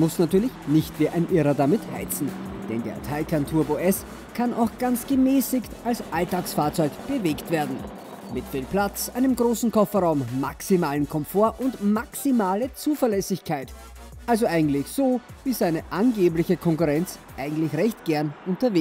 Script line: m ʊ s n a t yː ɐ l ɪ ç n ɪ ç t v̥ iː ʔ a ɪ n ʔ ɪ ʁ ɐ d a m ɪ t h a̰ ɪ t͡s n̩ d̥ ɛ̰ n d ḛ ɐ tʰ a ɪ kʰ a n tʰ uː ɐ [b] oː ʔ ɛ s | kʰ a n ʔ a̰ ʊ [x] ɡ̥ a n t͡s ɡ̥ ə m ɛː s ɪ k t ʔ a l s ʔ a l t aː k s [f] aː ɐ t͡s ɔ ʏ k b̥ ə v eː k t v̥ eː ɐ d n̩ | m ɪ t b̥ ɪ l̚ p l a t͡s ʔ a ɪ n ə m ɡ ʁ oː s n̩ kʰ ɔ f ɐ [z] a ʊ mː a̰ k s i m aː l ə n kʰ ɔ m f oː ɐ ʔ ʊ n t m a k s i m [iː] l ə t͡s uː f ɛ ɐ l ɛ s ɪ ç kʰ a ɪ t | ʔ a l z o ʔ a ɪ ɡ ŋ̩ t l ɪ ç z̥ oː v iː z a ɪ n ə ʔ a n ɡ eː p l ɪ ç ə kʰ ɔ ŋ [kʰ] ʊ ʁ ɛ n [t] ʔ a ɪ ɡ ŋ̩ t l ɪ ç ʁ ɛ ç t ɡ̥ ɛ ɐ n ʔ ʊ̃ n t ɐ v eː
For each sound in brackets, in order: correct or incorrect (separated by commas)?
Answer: correct, correct, correct, incorrect, incorrect, incorrect, incorrect